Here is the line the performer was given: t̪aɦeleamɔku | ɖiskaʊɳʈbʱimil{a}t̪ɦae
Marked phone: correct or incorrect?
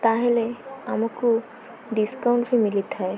incorrect